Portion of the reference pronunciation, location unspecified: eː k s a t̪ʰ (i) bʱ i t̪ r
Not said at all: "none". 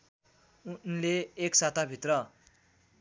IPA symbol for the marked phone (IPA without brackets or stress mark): a